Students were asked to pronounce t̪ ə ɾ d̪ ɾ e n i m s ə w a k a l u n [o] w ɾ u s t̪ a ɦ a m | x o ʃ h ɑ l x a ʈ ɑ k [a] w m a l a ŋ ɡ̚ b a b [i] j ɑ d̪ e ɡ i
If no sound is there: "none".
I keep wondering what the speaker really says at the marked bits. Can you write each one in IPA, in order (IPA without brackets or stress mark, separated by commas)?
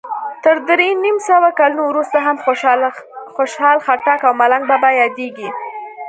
o, a, a